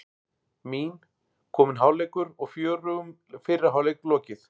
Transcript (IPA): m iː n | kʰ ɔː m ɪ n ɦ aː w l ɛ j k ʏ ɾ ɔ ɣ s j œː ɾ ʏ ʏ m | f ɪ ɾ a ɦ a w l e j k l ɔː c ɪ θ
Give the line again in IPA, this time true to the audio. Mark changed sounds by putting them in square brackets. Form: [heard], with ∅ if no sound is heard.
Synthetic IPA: m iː n | kʰ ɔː m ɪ n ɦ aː w l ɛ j k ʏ ɾ ɔ ɣ [f] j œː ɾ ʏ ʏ m | f ɪ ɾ a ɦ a w l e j k l ɔː c ɪ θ

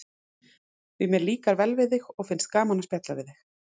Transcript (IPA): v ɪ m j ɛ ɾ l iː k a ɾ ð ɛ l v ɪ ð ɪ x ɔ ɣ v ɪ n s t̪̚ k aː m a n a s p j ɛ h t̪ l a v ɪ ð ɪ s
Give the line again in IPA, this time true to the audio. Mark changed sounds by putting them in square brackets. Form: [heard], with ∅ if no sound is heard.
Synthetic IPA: v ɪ m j ɛ ɾ l iː k a ɾ [v] ɛ l v ɪ ð ɪ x ɔ ɣ [f] ɪ n s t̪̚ k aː m a n a s p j ɛ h t̪ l a v ɪ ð ɪ [x]

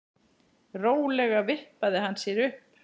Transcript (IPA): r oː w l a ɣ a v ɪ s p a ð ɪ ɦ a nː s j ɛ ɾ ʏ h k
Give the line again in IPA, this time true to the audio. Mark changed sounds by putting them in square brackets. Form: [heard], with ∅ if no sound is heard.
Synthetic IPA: r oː w l [ɛ] ɣ a v ɪ [h] p a ð ɪ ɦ a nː s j ɛ ɾ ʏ h [p]

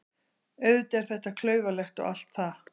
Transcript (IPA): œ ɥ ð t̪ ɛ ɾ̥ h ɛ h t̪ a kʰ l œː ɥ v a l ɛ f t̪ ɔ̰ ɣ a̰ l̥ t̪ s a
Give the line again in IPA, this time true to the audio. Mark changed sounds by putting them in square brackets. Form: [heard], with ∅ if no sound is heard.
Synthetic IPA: œ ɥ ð t̪ ɛ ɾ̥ [θ] ɛ h t̪ a kʰ l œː ɥ v a l ɛ [x] t̪ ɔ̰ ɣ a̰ l̥ t̪ [θ] a

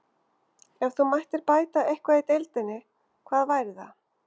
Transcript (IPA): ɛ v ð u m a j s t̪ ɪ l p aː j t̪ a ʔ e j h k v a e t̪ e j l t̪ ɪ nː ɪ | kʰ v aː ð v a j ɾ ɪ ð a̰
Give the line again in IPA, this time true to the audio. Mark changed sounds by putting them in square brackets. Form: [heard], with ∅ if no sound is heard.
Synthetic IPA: ɛ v [θ] u m a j [h] t̪ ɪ [ɾ] p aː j t̪ a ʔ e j h k v a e t̪ e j l t̪ ɪ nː ɪ | kʰ v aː ð v a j ɾ ɪ ð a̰

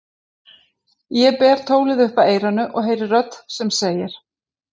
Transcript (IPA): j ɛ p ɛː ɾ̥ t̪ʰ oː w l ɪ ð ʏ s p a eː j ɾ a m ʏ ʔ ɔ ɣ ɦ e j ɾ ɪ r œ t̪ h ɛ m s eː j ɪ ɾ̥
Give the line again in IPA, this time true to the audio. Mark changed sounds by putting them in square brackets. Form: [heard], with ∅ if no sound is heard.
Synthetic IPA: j ɛ p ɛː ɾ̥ t̪ʰ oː w l ɪ ð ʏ [h] p a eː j ɾ a [n] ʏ ʔ ɔ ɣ ɦ e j ɾ ɪ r œ t̪ [s] ɛ m s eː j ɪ ɾ̥

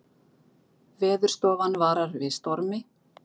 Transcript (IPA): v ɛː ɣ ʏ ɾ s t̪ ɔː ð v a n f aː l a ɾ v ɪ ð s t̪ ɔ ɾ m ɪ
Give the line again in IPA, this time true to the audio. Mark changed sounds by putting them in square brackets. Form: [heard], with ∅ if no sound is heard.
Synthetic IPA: v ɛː [ð] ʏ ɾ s t̪ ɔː [∅] v a n [v] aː [ɾ] a ɾ v ɪ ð s t̪ ɔ ɾ m ɪ

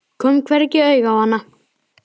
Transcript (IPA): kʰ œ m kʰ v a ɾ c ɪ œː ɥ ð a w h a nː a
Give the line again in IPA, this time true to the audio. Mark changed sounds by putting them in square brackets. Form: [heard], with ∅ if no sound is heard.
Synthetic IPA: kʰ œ m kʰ v [ɛ] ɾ c ɪ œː ɥ [ɣ] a w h a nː a

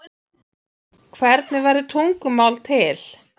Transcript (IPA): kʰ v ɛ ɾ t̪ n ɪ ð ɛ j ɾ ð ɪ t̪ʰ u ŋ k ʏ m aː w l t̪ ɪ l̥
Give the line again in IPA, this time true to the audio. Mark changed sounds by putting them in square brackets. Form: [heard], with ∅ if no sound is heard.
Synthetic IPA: kʰ v ɛ ɾ t̪ n ɪ [v] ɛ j ɾ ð ɪ t̪ʰ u ŋ k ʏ m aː w l [t̪ʰ] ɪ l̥

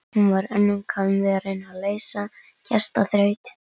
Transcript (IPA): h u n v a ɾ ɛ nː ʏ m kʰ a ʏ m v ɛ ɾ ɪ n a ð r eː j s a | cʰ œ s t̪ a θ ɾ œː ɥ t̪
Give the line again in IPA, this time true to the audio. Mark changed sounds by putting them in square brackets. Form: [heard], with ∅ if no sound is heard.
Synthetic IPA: h u n v a ɾ ɛ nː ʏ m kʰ a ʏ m v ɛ ɾ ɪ n a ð [l] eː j s a | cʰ [ɛ] s t̪ a θ ɾ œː ɥ t̪

